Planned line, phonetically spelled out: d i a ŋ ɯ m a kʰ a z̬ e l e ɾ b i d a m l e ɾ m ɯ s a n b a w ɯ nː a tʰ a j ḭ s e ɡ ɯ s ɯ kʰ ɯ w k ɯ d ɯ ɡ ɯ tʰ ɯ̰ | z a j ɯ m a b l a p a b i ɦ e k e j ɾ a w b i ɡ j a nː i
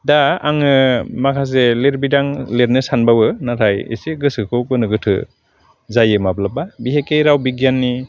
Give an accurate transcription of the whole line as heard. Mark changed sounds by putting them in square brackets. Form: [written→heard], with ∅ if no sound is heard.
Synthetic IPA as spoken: d [i→a] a ŋ ɯ m a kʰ a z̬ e l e ɾ b i d a [m→ŋ] l e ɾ [m→n] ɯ s a n b a w ɯ [nː→n] a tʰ a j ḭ s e ɡ ɯ s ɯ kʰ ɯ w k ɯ [d→n] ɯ ɡ ɯ tʰ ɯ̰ | z a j ɯ m a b l a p a b i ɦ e k e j ɾ a w b i ɡ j a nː i